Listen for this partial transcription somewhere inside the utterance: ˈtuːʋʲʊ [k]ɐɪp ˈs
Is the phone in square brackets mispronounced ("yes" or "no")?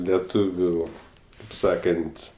no